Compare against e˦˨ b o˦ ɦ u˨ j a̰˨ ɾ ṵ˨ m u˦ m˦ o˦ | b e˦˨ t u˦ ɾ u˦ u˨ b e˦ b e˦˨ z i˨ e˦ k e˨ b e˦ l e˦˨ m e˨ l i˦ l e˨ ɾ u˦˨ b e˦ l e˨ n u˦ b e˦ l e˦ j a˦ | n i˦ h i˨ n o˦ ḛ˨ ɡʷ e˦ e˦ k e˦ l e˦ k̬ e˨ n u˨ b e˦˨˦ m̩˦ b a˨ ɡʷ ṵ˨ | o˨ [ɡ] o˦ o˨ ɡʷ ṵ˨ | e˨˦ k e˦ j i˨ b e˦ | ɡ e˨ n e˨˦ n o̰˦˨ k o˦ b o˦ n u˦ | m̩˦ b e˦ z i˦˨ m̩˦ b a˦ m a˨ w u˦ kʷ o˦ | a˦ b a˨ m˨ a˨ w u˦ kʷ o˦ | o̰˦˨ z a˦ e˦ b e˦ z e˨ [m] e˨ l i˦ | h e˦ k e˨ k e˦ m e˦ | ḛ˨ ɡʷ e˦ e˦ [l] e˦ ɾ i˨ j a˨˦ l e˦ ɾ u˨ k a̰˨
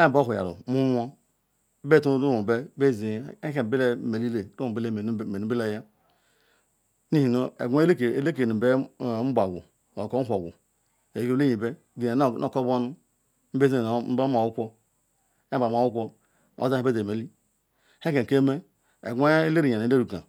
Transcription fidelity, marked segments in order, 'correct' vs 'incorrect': incorrect, correct, correct

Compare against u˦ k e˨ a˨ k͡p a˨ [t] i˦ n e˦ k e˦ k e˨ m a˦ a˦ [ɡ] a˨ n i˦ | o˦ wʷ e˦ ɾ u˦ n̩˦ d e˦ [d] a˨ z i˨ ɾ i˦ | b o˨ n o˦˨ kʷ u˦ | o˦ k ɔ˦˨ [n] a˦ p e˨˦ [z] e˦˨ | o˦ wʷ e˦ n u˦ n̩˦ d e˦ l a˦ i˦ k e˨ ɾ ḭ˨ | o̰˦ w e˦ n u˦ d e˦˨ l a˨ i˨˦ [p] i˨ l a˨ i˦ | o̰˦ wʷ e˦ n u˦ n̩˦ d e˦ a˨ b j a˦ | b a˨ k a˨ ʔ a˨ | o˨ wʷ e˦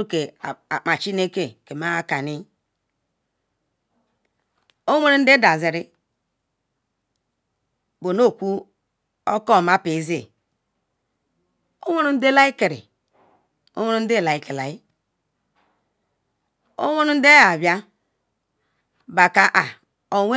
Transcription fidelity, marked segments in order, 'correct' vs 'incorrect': incorrect, incorrect, correct, incorrect, correct, incorrect

